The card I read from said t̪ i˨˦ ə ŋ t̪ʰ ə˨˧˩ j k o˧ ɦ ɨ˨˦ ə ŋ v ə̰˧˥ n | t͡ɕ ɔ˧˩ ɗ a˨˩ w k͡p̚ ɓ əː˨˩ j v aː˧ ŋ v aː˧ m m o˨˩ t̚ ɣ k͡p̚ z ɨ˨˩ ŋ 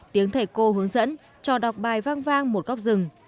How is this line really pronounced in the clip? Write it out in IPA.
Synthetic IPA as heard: t̪ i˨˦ ə ŋ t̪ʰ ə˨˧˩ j k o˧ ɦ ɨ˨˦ ə ŋ z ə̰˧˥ n | t͡ɕ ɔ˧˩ ɗ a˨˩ w k͡p̚ ɓ aː˨˩ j v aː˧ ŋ v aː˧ ŋ m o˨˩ t̚ ɣ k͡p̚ z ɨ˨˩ ŋ